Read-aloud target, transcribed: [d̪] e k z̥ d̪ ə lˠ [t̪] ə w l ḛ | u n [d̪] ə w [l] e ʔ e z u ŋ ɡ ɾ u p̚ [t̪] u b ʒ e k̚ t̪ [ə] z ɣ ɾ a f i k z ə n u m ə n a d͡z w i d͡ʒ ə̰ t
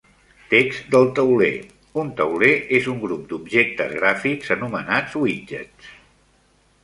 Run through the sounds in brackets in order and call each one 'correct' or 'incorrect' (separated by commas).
incorrect, correct, incorrect, correct, incorrect, correct